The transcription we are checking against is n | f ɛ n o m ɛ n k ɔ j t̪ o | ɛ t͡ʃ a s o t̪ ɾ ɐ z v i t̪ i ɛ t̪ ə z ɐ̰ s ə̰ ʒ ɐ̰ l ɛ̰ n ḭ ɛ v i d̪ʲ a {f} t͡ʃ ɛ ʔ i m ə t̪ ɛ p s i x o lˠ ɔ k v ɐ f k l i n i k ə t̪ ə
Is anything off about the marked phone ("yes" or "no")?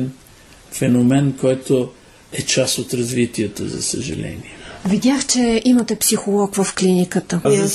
yes